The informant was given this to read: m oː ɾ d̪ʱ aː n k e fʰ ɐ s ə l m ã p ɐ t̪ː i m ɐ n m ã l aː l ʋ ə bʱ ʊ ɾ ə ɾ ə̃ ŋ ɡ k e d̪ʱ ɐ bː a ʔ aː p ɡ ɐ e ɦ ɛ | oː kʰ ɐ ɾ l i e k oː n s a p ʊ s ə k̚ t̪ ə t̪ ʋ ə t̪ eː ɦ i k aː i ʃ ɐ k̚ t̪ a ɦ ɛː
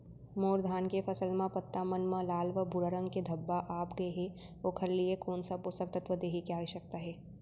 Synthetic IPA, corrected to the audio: m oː ɾ d̪ʱ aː n k e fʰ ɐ s ə l m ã p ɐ t̪ː a m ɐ n m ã l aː l ʋ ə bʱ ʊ ɾ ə ɾ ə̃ ŋ ɡ k e d̪ʱ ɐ bː a ʔ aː p ɡ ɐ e ɦ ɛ | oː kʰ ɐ ɾ l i e k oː n s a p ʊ s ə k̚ t̪ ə t̪ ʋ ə d̪ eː ɦ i k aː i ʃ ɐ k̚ t̪ a ɦ ɛː